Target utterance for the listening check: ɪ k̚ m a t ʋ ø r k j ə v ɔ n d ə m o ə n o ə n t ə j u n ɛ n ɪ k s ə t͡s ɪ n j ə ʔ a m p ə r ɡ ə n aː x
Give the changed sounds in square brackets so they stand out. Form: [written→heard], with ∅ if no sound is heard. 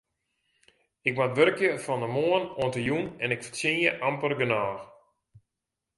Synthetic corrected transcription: ɪ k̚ m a t ʋ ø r k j ə [v→f] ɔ n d ə m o ə n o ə n t ə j u n ɛ n ɪ k [s→f] ə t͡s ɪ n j ə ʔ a m p ə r ɡ ə n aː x